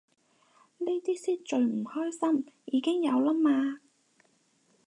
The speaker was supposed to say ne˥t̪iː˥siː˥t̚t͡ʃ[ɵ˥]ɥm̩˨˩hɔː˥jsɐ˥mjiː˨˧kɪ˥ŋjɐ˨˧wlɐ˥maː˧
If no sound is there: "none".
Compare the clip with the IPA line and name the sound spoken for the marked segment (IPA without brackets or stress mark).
ɵ˨˧